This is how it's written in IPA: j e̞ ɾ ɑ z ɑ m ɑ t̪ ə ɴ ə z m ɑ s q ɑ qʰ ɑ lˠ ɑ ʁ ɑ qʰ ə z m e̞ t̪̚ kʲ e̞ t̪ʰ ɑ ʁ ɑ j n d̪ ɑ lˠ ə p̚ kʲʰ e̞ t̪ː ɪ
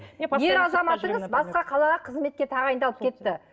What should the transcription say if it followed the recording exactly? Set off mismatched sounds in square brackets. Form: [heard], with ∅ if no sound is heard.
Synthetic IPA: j e̞ ɾ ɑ z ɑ m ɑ t̪ ə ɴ ə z [b] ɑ s q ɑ qʰ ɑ lˠ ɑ ʁ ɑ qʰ ə z m e̞ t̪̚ kʲ e̞ t̪ʰ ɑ ʁ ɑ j n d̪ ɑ lˠ ə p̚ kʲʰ e̞ t̪ː ɪ